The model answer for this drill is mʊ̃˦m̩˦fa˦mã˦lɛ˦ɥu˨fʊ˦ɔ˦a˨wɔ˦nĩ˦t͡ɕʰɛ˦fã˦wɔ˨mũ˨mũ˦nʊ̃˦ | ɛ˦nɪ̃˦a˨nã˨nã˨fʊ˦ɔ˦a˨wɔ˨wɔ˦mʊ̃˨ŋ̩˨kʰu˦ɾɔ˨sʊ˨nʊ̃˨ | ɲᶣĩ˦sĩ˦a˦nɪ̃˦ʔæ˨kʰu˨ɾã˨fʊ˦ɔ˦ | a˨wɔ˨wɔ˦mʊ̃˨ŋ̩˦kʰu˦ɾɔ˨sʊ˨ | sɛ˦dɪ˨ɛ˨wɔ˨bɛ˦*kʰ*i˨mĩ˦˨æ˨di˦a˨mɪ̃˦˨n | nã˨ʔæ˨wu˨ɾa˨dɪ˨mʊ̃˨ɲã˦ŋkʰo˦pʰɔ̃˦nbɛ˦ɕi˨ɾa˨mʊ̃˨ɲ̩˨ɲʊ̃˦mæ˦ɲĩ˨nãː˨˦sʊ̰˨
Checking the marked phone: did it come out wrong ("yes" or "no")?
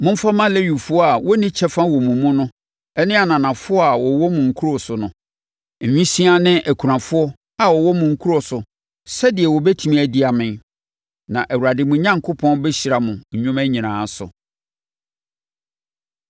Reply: yes